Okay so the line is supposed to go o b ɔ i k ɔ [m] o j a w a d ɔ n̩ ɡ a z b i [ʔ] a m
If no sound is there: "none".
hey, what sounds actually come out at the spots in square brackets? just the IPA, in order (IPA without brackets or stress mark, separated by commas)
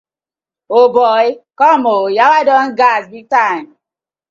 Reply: m, t